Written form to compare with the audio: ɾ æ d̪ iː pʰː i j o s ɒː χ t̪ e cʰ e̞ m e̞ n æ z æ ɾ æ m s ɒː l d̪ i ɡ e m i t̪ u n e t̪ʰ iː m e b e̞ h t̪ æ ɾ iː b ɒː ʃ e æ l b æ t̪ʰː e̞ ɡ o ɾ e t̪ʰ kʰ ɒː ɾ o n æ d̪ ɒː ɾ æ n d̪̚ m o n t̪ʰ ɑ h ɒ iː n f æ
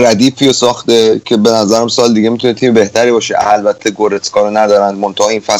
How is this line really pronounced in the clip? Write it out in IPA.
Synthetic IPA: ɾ æ d̪ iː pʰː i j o s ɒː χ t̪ e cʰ e̞ b e̞ n æ z æ ɾ æ m s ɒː l d̪ i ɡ e m i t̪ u n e t̪ʰ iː m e b e̞ h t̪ æ ɾ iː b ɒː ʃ e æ l b æ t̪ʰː e̞ ɡ o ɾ e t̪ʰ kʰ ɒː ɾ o n æ d̪ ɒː ɾ æ n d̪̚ m o n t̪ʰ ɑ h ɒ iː n f æ